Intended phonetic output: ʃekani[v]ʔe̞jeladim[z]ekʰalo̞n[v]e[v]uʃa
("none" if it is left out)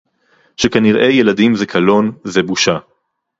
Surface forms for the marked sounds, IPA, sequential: ʁ, z, z, b

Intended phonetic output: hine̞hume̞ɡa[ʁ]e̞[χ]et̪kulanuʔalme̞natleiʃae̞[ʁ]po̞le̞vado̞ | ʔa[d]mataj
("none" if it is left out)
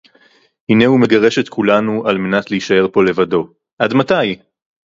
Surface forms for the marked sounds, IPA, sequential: ʁ, ʃ, ʁ, d

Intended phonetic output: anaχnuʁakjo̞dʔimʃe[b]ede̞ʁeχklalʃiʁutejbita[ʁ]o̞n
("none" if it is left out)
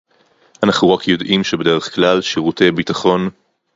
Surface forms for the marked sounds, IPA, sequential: b, χ

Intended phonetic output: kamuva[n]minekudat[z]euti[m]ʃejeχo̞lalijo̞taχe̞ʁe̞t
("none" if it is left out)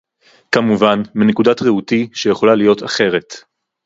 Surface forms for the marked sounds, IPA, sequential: n, ʁ, none

